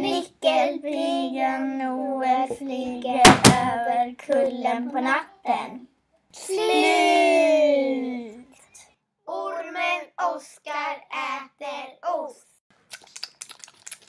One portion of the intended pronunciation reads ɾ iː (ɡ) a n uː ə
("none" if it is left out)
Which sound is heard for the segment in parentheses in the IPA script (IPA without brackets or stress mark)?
ɡ